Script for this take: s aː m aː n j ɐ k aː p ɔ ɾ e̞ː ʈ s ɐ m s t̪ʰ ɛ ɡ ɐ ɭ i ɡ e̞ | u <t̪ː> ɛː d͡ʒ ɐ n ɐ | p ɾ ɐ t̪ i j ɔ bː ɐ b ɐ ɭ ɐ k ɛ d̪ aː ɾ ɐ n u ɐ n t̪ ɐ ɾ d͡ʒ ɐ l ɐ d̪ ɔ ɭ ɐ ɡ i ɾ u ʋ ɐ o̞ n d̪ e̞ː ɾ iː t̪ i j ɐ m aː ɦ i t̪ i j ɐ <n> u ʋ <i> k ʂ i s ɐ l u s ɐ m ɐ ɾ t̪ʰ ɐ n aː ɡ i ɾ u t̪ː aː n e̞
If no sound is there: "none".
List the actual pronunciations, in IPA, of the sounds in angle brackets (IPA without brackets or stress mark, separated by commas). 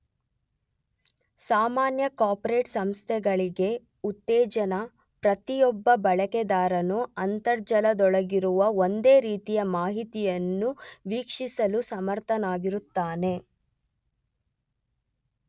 t̪ː, nː, iː